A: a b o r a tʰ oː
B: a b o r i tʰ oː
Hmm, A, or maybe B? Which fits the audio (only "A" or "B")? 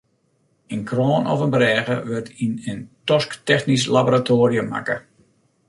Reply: A